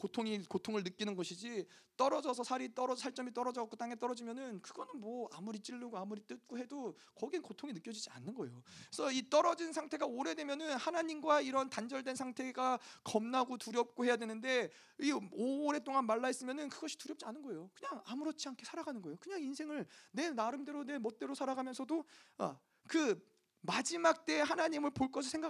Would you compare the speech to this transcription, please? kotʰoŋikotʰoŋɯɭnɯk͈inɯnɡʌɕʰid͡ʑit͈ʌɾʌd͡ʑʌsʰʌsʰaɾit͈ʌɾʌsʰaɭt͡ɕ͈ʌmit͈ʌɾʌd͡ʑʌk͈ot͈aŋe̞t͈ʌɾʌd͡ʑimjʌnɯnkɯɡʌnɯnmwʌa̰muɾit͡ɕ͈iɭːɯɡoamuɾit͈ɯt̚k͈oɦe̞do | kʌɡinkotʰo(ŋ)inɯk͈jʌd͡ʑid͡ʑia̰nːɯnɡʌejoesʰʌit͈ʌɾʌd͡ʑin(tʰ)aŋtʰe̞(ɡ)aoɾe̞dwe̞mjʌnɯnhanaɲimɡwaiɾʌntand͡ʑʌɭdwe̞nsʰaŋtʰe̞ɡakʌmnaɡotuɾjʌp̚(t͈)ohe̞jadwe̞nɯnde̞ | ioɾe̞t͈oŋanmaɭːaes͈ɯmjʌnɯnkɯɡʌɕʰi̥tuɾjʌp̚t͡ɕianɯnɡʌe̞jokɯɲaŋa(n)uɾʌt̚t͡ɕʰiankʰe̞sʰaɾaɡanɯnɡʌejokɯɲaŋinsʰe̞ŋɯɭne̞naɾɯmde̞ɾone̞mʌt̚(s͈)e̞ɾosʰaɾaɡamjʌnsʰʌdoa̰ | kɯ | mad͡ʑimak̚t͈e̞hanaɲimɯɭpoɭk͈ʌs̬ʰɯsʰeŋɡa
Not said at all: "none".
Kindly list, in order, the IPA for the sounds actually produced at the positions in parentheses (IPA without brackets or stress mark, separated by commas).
ŋ, sʰ, ɡ, k͈, m, t͈